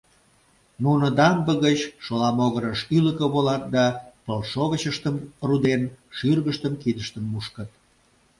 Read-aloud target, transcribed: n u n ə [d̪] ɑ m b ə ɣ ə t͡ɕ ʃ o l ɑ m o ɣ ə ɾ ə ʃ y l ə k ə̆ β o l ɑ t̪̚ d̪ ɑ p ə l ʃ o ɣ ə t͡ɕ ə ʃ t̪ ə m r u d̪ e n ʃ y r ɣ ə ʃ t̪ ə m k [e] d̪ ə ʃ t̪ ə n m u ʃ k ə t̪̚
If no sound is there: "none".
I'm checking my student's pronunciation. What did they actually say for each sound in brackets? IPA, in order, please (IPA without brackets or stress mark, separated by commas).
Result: d̪, i